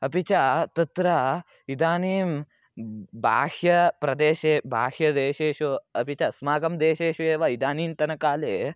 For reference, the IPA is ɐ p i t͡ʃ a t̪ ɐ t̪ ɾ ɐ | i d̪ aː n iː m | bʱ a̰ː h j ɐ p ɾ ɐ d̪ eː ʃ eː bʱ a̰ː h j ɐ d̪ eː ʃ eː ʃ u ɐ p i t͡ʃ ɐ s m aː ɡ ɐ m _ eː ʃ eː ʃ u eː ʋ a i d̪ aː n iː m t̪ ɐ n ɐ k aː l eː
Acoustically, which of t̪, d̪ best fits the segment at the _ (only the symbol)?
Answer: d̪